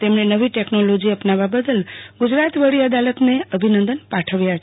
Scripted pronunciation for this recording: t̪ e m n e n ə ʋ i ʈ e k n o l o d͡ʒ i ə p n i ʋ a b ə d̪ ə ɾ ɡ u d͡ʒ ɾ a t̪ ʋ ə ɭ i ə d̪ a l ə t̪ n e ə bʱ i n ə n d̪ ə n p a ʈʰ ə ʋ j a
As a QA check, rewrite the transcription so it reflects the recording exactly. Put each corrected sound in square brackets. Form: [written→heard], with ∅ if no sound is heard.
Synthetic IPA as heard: t̪ e m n e n ə ʋ i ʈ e k n o l o d͡ʒ i ə p n [i→a] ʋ a b ə d̪ ə [ɾ→l] ɡ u d͡ʒ ɾ a t̪ ʋ ə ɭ i ə d̪ a l ə t̪ n e ə bʱ i n ə n d̪ ə n p a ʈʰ ə ʋ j a